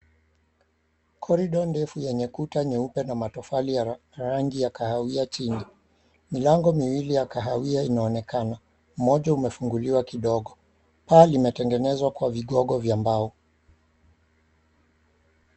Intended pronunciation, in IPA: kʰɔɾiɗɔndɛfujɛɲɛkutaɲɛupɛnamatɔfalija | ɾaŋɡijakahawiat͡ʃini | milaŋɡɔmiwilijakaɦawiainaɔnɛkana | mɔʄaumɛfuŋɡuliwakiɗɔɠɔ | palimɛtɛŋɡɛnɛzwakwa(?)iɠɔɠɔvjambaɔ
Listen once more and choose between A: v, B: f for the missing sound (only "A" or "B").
A